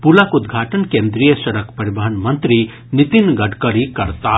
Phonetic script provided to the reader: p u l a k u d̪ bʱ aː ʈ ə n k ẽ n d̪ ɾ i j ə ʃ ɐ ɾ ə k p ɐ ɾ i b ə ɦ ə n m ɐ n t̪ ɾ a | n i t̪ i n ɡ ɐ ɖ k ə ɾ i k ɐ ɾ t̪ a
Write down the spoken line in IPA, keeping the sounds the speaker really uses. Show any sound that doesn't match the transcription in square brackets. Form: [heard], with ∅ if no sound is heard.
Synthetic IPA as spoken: p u l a k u d̪ [ɡʱ] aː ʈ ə n k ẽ n d̪ ɾ i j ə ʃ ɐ ɾ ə k p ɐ ɾ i b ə ɦ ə n m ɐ n t̪ ɾ [i] | n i t̪ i n ɡ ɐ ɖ k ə ɾ i k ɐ ɾ t̪ a